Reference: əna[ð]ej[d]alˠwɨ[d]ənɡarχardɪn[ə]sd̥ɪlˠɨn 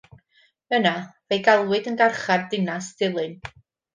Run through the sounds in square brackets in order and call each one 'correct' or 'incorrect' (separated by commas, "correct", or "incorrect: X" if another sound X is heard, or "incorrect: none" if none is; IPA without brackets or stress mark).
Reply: incorrect: v, incorrect: ɡ, correct, incorrect: a